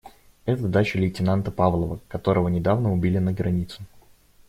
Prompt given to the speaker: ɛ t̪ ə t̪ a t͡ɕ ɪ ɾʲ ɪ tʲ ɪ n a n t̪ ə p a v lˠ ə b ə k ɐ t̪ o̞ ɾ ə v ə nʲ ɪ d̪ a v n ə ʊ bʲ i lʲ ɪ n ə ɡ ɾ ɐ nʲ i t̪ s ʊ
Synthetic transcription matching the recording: ɛ t̪ ə d̪ a t͡ɕ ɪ lʲ ɪ tʲ ɪ n a n t̪ ə p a v lˠ ə v ə k ɐ t̪ o̞ ɾ ə v ə nʲ ɪ d̪ a v n ə ʊ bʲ i lʲ ɪ n ə ɡ ɾ ɐ nʲ i t̪ s ʊ